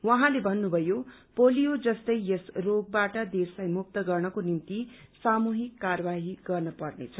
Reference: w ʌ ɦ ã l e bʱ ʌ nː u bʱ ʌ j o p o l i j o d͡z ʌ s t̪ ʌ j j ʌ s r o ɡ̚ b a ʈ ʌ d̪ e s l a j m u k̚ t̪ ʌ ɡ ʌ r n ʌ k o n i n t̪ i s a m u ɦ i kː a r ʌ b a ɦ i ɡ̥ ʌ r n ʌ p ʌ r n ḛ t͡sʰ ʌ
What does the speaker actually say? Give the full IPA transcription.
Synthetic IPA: w ʌ ɦ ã l e bʱ ʌ nː u bʱ ʌ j o p o l i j o d͡z ʌ s t̪ ʌ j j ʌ s r o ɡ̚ b a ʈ ʌ d̪ e s l a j m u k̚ t̪ ʌ ɡ ʌ r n ʌ k o n i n t̪ i s a m u ɦ i kː a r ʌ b a ɦ i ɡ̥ ʌ r n ʌ p ʌ r n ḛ t͡sʰ ʌ

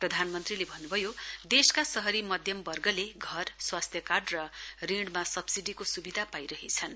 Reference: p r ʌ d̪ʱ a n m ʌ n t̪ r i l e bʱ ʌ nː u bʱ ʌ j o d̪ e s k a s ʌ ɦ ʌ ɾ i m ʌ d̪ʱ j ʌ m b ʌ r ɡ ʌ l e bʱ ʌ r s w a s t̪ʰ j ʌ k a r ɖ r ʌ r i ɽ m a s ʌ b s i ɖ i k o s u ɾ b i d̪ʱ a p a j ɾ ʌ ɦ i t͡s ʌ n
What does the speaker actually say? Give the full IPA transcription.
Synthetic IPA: p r ʌ d̪ʱ a n m ʌ n t̪ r i l e bʱ ʌ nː u bʱ ʌ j o d̪ e s k a s ʌ ɦ ʌ ɾ i m ʌ d̪ʱ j ʌ m b ʌ r ɡ ʌ l e ɡʱ ʌ r s w a s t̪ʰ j ʌ k a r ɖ r ʌ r i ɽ m a s ʌ b s i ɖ i k o s u b i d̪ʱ a p a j ɾ ʌ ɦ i t͡sʰ ʌ n

